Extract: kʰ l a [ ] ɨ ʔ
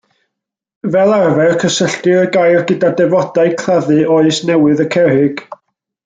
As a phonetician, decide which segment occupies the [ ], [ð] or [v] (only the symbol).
ð